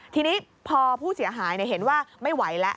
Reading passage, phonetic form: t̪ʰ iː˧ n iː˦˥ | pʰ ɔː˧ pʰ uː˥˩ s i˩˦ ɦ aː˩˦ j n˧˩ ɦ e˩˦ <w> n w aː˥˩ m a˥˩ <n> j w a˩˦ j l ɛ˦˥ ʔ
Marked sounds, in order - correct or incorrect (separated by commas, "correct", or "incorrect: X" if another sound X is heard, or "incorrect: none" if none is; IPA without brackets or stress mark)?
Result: incorrect: none, incorrect: none